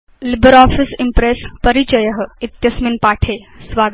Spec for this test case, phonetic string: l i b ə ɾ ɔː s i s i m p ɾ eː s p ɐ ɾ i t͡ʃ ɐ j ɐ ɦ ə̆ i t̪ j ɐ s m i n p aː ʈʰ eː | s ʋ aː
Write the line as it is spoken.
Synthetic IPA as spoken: l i b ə ɾ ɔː f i s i m p ɾ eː s p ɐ ɾ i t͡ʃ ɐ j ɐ ɦ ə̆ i t̪ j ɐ s m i n p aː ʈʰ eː | s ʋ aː